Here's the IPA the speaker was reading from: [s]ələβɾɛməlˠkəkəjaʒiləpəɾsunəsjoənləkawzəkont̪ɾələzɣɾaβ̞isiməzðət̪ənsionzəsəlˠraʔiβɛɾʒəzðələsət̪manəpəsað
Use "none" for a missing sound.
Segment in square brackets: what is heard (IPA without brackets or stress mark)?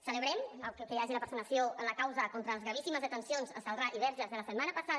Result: s